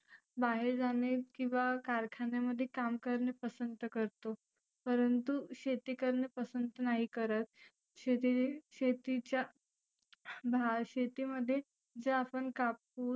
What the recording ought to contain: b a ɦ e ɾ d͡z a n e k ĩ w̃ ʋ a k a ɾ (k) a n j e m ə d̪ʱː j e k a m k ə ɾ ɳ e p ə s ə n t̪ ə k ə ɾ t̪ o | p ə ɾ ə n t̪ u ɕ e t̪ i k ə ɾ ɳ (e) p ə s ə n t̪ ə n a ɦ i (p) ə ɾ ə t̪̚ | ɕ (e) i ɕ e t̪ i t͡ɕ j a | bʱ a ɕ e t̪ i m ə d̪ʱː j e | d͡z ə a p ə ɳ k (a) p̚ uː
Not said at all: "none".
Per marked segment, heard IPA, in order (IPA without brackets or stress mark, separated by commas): kʰ, e, k, e, a